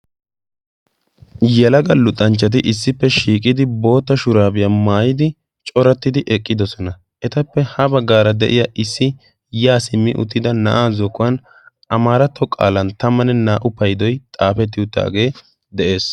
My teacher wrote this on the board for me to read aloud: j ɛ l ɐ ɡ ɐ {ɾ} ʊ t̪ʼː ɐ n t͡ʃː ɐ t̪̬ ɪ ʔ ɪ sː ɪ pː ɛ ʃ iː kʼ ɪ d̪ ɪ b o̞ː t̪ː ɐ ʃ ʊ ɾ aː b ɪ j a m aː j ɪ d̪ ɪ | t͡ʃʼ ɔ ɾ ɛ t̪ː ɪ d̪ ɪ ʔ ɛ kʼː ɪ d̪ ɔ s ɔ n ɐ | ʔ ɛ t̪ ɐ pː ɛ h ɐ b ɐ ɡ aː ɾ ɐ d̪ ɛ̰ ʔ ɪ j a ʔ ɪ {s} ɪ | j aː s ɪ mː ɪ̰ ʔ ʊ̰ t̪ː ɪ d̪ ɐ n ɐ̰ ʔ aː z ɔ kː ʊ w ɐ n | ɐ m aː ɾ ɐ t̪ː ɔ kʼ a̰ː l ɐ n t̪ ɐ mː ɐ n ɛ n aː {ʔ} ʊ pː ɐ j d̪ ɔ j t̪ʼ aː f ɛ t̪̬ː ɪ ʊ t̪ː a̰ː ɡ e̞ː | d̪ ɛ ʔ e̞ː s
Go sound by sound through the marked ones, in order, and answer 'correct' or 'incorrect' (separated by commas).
incorrect, incorrect, correct